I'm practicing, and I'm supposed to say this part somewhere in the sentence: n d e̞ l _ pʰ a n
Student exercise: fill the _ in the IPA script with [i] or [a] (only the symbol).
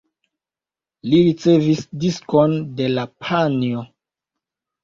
a